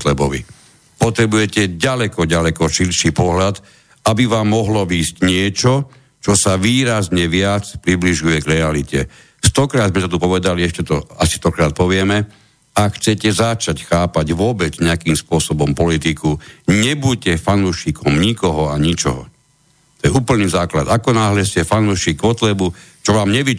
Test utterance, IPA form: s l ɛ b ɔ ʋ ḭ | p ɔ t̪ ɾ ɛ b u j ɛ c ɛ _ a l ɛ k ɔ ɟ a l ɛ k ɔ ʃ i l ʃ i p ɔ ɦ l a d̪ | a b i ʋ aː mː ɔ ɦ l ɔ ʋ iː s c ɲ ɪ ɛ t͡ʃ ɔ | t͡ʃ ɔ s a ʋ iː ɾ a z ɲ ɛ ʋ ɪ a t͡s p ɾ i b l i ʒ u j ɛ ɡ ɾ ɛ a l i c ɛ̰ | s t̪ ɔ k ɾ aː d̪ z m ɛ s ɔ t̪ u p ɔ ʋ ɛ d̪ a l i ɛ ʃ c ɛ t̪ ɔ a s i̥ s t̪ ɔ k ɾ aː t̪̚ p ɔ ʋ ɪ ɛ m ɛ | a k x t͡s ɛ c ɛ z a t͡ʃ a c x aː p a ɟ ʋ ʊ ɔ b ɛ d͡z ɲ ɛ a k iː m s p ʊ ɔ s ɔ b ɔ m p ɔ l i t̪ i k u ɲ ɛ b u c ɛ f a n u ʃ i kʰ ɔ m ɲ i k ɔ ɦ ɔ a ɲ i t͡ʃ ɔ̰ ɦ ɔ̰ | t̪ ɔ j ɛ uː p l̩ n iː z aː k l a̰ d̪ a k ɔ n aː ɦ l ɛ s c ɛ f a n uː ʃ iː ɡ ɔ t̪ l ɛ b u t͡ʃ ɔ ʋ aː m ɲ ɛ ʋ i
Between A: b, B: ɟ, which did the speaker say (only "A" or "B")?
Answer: B